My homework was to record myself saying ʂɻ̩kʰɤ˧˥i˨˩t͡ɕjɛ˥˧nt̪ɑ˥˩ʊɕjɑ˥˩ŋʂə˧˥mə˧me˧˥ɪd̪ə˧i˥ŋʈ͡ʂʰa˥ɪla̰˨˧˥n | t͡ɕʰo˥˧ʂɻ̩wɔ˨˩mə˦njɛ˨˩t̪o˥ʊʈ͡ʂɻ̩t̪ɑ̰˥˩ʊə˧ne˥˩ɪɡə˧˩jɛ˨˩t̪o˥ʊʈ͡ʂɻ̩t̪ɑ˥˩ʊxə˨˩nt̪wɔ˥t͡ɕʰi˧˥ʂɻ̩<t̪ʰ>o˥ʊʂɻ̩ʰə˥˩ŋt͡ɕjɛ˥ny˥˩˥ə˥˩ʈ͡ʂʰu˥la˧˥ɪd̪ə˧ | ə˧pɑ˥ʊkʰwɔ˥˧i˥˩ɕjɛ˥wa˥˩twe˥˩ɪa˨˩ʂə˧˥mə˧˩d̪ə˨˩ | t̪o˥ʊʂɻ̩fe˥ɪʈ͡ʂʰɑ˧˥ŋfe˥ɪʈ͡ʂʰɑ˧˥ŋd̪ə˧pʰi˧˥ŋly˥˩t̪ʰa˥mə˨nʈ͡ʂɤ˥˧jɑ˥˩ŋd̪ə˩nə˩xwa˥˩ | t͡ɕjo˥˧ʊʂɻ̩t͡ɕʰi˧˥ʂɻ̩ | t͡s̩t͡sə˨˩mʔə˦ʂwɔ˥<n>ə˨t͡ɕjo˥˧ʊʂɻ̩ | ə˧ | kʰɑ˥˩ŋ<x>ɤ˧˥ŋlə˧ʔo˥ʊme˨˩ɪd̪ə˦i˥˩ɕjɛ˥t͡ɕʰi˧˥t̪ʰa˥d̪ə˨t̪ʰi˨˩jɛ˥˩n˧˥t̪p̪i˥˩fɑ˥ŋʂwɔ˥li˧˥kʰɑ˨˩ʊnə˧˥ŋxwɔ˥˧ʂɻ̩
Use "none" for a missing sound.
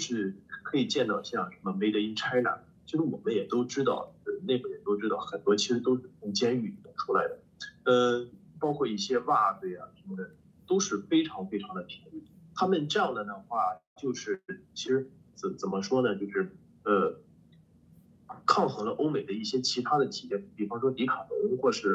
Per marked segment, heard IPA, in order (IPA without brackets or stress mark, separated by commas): t̪, n, x